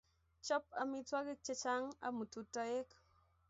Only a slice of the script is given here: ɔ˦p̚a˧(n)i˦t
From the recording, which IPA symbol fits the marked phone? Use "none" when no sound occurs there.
m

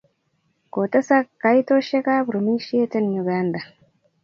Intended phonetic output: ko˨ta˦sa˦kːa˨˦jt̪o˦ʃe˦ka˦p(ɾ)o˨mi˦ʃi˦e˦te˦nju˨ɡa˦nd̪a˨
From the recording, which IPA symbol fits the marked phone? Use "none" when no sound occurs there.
ɾ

